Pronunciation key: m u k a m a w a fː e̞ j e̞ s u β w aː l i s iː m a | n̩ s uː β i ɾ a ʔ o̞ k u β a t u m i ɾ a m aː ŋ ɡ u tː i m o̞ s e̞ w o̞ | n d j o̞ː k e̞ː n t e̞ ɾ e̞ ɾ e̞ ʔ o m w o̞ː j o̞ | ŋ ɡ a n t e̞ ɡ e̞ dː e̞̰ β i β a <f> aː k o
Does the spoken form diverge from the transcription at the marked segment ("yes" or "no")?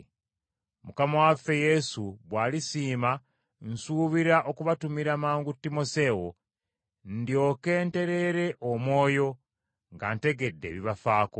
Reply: no